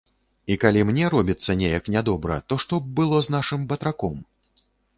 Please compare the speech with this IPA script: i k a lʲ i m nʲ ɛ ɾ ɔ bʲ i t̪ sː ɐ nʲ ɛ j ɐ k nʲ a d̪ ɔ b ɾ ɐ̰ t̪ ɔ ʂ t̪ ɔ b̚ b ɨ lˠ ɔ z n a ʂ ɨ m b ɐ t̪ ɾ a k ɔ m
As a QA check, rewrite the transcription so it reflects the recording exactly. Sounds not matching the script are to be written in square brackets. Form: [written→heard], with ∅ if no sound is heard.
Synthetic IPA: i k a lʲ i m nʲ ɛ ɾ ɔ bʲ i t̪ sː ɐ nʲ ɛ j ɐ k nʲ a d̪ ɔ b ɾ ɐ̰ t̪ ɔ ʂ t̪ ɔ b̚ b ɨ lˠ ɔ z n a ʂ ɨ m b ɐ t̪ ɾ a k ɔ m